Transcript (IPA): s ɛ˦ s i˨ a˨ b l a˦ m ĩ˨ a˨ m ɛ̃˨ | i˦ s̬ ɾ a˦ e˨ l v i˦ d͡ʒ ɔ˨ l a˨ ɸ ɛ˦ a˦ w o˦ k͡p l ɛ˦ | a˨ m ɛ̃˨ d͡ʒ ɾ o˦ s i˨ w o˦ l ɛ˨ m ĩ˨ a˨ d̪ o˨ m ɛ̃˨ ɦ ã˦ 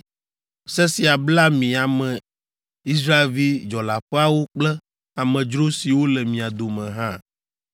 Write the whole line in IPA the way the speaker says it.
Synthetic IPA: s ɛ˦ s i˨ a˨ b l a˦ m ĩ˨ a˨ m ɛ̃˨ | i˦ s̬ ɾ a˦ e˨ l v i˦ d͡ʒ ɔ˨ l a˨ ɸ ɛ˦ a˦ w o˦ k͡p l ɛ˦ | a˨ m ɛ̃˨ d͡ʒ ɾ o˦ s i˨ w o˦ l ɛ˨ m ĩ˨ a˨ d̪ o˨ m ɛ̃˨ ɦ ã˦